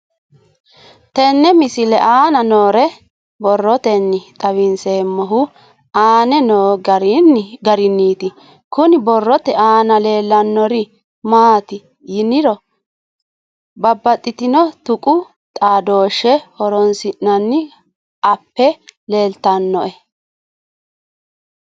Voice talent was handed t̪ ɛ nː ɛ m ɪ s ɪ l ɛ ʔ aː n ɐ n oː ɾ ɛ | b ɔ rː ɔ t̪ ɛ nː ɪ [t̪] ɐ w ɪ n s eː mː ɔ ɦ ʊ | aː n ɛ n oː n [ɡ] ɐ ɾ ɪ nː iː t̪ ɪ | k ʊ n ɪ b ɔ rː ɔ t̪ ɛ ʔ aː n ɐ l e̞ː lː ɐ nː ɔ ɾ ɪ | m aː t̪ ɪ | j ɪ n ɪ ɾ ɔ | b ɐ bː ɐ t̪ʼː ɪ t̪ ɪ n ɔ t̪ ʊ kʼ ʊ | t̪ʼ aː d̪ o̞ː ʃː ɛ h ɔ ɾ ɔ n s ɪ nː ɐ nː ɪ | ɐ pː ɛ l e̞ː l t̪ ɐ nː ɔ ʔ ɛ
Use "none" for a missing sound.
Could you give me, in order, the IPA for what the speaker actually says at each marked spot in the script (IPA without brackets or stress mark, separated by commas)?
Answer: t̪ʼ, ɡ